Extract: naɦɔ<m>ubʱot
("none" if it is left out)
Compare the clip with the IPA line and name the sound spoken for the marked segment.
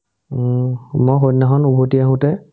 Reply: n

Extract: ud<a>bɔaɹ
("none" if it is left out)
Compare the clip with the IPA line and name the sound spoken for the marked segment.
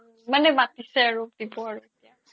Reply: i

